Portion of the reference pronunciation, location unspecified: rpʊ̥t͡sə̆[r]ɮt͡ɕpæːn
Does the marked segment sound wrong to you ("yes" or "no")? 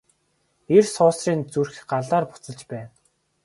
yes